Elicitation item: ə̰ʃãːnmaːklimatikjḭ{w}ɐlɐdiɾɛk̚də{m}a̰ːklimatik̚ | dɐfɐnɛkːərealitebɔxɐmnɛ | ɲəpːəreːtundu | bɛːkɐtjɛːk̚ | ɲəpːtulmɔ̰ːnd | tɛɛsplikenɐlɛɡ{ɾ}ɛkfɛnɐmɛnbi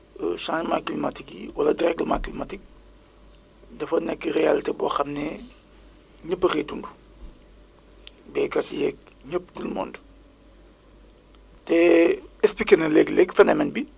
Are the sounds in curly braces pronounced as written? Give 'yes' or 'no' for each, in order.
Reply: yes, yes, no

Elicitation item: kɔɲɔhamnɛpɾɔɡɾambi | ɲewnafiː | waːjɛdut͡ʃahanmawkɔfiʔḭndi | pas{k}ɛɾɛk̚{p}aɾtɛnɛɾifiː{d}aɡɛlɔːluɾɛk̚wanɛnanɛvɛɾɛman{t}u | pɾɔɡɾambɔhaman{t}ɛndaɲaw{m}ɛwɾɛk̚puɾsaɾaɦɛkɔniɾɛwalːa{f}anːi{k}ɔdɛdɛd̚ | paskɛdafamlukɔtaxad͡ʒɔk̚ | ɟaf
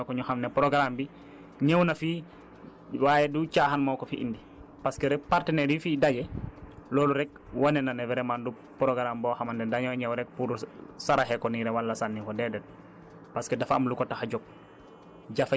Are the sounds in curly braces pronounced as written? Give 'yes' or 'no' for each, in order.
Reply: yes, yes, yes, no, no, no, no, yes

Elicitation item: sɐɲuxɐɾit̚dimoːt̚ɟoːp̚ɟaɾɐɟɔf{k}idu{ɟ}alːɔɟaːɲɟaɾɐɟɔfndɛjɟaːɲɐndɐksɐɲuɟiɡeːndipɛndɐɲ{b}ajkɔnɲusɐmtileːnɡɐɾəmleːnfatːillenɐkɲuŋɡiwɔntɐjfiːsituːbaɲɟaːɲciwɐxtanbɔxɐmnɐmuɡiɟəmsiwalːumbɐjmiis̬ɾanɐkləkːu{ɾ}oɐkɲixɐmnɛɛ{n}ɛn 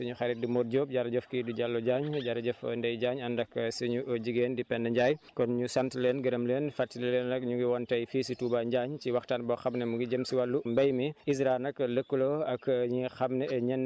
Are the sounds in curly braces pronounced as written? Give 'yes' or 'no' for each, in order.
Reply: yes, yes, no, no, no

